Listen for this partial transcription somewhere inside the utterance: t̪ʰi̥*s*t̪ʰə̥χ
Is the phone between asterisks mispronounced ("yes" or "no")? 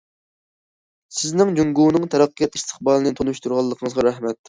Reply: no